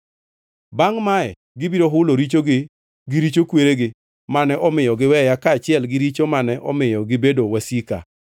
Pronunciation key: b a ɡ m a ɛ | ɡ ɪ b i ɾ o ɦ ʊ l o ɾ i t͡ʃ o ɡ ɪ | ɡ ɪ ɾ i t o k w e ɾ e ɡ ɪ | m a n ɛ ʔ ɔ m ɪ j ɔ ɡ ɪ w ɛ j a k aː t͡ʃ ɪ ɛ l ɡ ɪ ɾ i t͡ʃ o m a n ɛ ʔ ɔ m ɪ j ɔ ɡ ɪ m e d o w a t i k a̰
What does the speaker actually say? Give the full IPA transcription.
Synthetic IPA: b a ŋ m a ɛ | ɡ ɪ b i ɾ o ɦ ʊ l o ɾ i t͡ʃ o ɡ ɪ | ɡ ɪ ɾ i t͡ʃ o k w e ɾ e ɡ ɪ | m a n ɛ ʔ ɔ m ɪ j ɔ ɡ ɪ w ɛ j a k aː t͡ʃ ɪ ɛ l ɡ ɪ ɾ i t͡ʃ o m a n ɛ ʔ ɔ m ɪ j ɔ ɡ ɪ b e d o w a s i k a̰